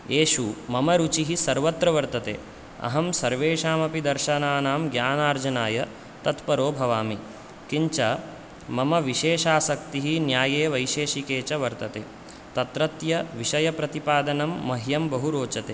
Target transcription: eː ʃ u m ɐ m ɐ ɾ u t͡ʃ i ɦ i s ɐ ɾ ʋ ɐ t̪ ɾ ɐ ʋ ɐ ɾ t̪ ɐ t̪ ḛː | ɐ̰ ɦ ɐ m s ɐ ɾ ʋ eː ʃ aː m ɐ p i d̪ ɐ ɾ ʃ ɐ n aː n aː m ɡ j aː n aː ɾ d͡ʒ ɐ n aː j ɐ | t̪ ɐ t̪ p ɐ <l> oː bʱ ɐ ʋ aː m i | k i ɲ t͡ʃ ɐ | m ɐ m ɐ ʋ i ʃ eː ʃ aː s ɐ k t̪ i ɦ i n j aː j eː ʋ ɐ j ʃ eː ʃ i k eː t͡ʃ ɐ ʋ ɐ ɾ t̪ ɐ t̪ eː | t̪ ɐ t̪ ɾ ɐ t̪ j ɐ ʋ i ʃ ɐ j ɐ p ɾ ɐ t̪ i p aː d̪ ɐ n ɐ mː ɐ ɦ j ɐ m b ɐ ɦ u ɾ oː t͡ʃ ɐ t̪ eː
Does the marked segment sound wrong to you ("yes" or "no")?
yes